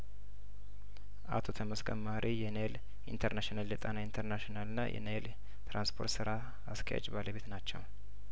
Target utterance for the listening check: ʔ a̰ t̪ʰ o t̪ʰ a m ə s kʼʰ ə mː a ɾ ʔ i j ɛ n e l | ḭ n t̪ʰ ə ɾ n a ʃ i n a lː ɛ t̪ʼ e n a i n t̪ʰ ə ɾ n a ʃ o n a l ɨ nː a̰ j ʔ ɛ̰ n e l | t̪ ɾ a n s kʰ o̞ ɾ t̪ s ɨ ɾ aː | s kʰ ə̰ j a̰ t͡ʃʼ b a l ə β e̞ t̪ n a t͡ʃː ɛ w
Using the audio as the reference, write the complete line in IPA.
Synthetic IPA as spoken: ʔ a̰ t̪ʰ o t̪ʰ ə m ə s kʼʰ ə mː a ɾ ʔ i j ɛ n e l | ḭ n t̪ʰ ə ɾ n a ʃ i n a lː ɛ t̪ʼ a n a i n t̪ʰ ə ɾ n a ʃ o n a l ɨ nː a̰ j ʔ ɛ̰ n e l | t̪ ɾ a n s pʰ o̞ ɾ t̪ s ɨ ɾ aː | s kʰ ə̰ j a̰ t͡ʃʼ b a l ə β e̞ t̪ n a t͡ʃː ɛ w

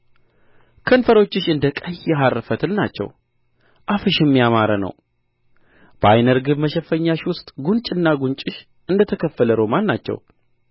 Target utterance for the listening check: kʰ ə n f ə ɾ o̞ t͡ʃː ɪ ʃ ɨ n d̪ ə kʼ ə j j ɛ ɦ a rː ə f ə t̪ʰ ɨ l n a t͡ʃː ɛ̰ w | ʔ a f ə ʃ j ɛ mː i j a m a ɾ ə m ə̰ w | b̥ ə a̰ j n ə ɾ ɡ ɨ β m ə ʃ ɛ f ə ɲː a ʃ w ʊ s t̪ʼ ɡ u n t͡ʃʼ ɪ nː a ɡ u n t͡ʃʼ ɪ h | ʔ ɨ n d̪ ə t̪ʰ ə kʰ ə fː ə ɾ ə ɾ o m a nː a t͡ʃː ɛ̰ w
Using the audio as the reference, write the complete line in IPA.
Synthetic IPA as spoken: kʰ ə n f ə ɾ o̞ t͡ʃː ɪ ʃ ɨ n d̪ ə kʼ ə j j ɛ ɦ a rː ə f ə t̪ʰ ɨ l n a t͡ʃː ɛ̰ w | ʔ a f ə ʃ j ɛ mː i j a m a ɾ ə n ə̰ w | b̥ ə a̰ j n ə ɾ ɡ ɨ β m ə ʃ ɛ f ə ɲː a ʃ w ʊ s t̪ʼ ɡ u n t͡ʃʼ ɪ nː a ɡ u n t͡ʃʼ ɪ ʃ | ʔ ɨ n d̪ ə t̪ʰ ə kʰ ə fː ə l ə ɾ o m a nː a t͡ʃː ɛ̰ w

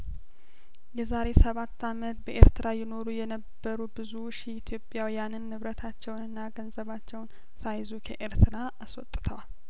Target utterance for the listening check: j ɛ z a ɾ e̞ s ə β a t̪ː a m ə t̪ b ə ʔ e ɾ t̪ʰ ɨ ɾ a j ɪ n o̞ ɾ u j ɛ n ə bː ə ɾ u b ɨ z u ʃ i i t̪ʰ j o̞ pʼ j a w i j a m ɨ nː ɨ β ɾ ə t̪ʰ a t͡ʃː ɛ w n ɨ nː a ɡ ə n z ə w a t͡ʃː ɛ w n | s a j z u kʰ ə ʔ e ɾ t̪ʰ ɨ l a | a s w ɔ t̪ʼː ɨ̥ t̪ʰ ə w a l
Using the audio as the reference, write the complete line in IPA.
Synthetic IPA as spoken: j ɛ z a ɾ e̞ s ə β a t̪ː a m ə t̪ b ə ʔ e ɾ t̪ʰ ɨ ɾ a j ɪ n o̞ ɾ u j ɛ n ə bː ə ɾ u b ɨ z u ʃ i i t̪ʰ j o̞ pʼ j a w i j a n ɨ nː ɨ β ɾ ə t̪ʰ a t͡ʃː ɛ w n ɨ nː a ɡ ə n z ə β a t͡ʃː ɛ w n | s a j z u kʰ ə ʔ e ɾ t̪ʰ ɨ ɾ a | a s w ɔ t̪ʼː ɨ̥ t̪ʰ ə w a l

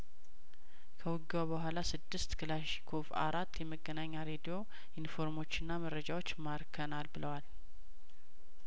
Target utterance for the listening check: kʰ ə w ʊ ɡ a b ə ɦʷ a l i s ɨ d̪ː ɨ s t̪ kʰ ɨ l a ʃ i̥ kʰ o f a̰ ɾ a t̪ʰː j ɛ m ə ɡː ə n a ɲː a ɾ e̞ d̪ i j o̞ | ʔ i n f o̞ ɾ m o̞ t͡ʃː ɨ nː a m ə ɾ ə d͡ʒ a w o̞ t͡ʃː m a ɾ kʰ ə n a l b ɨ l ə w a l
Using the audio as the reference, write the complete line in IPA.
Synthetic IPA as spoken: kʰ ə w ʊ ɡ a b ə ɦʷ a l a s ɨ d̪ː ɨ s t̪ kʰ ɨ l a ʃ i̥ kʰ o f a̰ ɾ a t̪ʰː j ɛ m ə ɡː ə n a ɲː a ɾ e̞ d̪ i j o̞ | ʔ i n f o̞ ɾ m o̞ t͡ʃː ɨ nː a m ə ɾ ə d͡ʒ a w o̞ t͡ʃː m a ɾ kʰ ə n a l b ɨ l ə w a l

